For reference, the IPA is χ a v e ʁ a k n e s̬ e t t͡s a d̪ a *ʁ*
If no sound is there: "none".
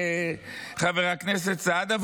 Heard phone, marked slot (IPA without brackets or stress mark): v